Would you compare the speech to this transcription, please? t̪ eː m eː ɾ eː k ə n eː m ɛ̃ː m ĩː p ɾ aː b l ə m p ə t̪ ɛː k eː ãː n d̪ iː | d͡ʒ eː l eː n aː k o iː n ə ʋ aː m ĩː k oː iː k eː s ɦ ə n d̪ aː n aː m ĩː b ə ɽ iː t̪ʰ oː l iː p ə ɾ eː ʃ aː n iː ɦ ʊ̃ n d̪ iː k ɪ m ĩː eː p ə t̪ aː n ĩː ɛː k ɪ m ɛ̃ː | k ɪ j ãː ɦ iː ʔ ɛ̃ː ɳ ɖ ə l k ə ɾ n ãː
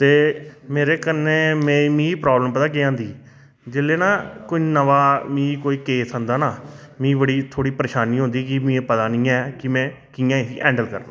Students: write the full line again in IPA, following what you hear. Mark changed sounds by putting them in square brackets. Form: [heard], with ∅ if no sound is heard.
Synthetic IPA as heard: t̪ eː m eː ɾ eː k ə n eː m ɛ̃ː m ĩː p ɾ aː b l ə m p ə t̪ [aː] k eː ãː n d̪ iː | d͡ʒ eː l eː n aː k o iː n ə ʋ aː m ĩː k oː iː k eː s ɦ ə n d̪ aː n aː m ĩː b ə ɽ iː t̪ʰ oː [ɽ] iː p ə ɾ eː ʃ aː n iː ɦ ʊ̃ n d̪ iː k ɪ m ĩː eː p ə t̪ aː n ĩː ɛː k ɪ m ɛ̃ː | k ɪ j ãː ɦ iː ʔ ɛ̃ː ɳ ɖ ə l k ə ɾ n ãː